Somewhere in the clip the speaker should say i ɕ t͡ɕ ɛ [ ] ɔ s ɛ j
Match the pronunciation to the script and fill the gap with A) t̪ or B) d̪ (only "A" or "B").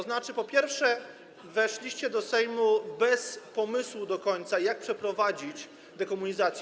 B